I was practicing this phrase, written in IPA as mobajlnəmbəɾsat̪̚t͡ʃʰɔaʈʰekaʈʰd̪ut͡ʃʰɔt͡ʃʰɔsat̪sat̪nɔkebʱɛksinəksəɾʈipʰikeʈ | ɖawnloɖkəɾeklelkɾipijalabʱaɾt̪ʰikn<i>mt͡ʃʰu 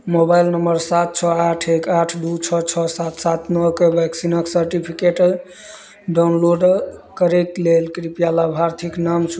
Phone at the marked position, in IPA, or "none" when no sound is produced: a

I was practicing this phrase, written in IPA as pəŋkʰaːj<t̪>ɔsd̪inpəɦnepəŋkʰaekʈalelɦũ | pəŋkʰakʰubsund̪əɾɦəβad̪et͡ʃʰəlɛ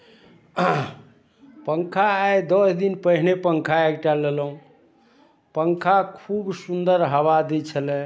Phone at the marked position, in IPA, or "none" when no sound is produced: d̪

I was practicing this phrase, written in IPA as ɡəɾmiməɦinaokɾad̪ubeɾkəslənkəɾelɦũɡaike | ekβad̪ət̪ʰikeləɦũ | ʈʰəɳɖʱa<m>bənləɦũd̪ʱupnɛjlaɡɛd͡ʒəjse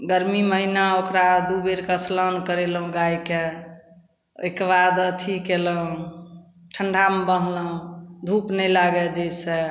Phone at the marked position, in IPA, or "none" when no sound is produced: m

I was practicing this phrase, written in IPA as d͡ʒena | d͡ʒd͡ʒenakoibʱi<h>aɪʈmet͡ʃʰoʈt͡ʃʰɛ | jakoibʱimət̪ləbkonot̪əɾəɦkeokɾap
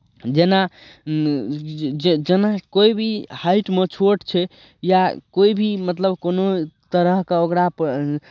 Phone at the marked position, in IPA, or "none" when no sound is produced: h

